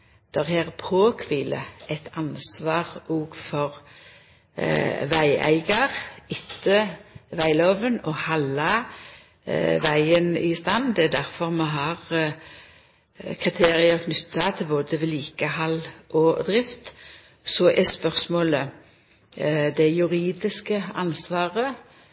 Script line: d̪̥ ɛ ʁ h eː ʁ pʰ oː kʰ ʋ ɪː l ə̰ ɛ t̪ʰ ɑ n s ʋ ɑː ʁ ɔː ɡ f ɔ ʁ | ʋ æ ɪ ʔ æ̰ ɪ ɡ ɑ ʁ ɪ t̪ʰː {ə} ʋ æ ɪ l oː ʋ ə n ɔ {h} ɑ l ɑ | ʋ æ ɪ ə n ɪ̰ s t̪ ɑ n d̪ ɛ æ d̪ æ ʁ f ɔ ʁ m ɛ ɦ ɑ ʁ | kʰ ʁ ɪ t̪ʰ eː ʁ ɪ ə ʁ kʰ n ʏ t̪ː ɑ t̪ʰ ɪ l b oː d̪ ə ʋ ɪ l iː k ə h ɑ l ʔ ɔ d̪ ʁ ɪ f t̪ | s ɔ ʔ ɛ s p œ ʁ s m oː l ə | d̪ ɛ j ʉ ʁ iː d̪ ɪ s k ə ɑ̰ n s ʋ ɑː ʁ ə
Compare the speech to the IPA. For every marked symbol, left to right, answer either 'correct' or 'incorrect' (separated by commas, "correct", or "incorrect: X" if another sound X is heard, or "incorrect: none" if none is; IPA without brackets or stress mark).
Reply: correct, correct